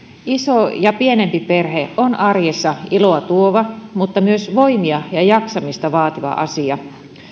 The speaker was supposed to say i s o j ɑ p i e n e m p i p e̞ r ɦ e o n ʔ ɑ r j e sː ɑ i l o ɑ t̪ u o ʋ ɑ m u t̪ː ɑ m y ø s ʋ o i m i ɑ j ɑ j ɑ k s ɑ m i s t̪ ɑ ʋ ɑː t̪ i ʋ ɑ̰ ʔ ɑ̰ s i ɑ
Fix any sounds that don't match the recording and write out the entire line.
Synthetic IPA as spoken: i s o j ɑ p i e n e m p i p e̞ r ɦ e o n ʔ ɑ r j e sː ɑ i l o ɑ t̪ u o ʋ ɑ m u t̪ː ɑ m y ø s ʋ o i m i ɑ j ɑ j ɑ k s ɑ m i s t̪ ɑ ʋ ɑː t̪ i ʋ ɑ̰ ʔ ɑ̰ s i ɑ